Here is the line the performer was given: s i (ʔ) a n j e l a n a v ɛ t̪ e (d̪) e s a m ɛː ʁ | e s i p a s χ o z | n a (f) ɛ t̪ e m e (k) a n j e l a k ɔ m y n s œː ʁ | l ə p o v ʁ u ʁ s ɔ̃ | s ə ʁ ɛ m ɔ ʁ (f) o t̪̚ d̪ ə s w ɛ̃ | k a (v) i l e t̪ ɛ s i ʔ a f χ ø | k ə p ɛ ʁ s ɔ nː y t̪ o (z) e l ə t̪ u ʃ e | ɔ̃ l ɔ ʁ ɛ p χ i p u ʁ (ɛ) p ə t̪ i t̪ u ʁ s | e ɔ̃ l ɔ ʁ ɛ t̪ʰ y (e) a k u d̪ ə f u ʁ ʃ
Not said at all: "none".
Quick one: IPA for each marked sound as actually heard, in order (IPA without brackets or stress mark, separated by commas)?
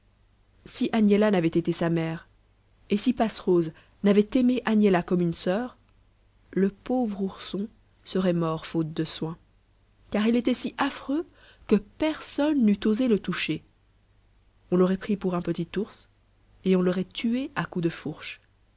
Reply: ʔ, t̪, v, ʔ, f, ʁ, z, ɛ̃, e